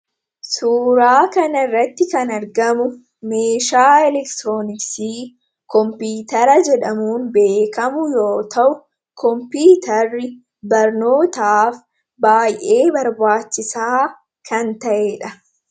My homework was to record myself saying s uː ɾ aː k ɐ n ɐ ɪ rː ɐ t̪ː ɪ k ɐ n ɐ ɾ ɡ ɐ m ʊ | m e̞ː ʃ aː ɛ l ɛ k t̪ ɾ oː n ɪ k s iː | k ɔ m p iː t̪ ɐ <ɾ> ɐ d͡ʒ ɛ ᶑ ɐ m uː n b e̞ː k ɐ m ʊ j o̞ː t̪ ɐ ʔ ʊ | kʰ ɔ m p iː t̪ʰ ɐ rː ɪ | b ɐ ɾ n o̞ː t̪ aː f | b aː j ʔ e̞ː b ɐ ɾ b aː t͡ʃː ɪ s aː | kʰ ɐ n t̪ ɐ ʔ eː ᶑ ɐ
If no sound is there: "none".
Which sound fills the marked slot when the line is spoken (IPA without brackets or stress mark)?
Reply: ɾ